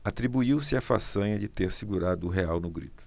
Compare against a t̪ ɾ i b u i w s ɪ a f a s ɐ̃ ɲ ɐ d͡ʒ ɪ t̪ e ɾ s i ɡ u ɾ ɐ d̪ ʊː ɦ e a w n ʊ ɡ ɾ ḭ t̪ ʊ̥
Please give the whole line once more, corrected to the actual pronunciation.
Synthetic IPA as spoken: a t̪ ɾ i b u i w s ɪ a f a s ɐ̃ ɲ ɐ d͡ʒ ɪ t̪ e ɾ s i ɡ u ɾ a d̪ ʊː ɦ e a w n ʊ ɡ ɾ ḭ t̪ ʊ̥